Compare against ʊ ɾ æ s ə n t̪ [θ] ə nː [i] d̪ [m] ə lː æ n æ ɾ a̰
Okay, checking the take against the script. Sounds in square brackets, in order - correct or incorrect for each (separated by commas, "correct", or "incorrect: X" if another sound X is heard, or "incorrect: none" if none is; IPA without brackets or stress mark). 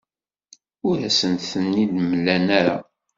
correct, correct, correct